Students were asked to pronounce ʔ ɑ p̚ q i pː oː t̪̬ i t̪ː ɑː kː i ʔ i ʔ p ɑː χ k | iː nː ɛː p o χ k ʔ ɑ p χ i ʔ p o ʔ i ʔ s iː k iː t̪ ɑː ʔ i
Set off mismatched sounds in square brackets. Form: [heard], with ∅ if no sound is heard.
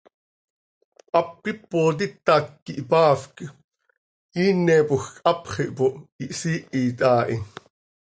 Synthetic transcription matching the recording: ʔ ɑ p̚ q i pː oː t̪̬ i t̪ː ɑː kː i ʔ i [∅] p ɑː [f] k | iː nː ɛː p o [x] k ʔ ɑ p χ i ʔ p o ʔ i ʔ s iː [ʔ] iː t̪ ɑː ʔ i